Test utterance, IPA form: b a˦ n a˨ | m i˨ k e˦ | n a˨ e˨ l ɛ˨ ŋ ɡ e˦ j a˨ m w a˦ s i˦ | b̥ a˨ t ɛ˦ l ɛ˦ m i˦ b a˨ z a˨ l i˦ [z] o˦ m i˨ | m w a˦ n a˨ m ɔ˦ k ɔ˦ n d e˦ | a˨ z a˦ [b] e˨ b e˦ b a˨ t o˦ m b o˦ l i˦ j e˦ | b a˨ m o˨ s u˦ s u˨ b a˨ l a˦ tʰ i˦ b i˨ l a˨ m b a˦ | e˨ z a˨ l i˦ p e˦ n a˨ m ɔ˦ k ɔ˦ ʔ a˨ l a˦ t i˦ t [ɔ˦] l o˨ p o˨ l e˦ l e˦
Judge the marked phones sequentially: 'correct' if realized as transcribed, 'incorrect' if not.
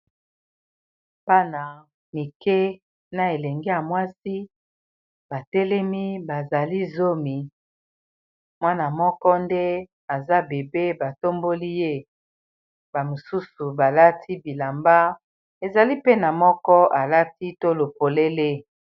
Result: correct, correct, incorrect

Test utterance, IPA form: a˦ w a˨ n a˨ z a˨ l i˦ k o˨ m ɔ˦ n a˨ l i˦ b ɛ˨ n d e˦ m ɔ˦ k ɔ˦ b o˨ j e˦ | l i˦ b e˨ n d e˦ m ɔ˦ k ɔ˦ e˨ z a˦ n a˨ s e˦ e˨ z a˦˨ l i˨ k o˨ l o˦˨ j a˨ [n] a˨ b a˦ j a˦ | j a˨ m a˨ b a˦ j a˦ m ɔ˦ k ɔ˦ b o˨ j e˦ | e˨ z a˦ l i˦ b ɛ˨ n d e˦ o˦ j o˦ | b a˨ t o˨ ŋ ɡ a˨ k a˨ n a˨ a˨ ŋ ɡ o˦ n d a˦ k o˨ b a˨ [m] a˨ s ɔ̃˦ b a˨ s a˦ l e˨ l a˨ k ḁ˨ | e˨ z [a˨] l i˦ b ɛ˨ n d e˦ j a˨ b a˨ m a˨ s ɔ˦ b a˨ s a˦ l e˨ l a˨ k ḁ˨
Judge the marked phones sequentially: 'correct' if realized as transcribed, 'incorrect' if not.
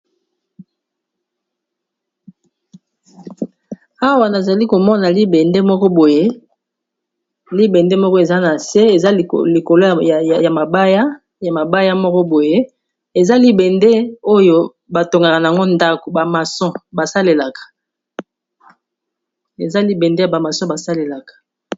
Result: incorrect, correct, incorrect

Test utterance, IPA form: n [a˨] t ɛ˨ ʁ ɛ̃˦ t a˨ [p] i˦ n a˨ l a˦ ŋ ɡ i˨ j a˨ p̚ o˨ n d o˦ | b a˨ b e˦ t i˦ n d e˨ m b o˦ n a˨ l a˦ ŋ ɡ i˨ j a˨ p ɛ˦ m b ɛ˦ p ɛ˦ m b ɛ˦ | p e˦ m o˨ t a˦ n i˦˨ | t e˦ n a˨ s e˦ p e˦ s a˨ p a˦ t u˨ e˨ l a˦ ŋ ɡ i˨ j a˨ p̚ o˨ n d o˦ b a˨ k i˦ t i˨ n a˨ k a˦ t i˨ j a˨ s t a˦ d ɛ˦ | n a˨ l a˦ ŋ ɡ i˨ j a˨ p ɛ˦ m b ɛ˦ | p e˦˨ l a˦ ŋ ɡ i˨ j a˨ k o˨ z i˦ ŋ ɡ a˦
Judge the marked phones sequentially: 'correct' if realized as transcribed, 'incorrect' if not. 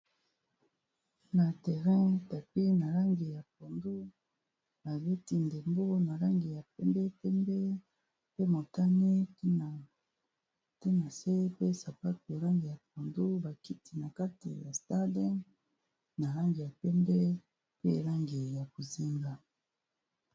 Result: correct, correct

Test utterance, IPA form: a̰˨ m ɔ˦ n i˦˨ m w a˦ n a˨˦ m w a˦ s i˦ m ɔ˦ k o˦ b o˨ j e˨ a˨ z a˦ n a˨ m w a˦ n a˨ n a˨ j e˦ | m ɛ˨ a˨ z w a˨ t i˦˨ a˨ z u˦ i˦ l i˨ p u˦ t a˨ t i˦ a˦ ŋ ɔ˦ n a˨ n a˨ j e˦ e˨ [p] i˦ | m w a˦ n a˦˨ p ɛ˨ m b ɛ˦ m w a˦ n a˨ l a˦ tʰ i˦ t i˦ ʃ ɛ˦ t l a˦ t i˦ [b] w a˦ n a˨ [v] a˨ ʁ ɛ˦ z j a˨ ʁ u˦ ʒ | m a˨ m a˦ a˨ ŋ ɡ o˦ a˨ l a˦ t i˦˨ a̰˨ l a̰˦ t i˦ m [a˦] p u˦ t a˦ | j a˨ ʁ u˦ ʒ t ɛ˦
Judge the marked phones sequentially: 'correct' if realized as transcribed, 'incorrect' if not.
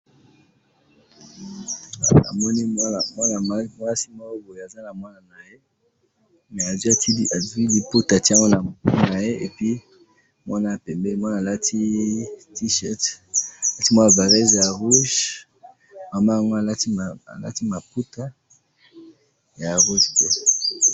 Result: correct, incorrect, correct, incorrect

